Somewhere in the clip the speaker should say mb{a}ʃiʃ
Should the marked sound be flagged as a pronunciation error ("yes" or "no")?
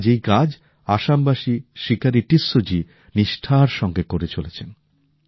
no